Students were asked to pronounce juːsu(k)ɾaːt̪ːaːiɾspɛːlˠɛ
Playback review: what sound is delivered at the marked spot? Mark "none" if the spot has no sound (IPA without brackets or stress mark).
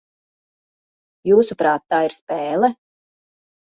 p